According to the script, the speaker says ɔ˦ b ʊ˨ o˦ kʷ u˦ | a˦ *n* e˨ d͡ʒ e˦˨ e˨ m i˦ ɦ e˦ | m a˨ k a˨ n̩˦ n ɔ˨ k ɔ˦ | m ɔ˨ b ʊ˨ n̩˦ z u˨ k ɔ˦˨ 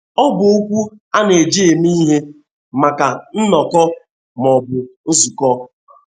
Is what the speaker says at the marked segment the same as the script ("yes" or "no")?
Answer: yes